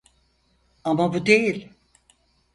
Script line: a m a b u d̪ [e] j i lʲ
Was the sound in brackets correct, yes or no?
yes